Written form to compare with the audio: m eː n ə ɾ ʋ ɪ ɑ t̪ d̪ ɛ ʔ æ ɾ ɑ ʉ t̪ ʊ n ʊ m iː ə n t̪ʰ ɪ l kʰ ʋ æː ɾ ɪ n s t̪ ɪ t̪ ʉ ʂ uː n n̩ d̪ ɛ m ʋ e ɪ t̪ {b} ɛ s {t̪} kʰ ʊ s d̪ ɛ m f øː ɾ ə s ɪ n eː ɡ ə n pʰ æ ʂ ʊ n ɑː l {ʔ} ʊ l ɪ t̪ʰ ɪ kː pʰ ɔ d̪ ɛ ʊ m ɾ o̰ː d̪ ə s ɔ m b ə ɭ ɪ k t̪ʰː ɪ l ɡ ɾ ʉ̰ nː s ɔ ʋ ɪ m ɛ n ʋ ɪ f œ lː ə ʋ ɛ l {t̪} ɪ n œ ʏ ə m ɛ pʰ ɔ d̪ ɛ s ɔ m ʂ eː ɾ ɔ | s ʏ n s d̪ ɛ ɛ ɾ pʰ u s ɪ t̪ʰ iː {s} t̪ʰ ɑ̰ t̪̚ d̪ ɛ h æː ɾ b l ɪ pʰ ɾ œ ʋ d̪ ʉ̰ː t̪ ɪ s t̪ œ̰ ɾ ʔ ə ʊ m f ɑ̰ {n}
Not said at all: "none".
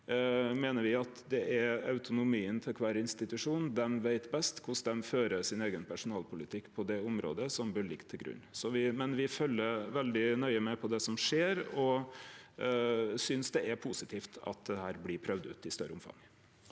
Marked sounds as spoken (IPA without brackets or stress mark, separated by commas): b, t̪, p, d̪, f, ŋ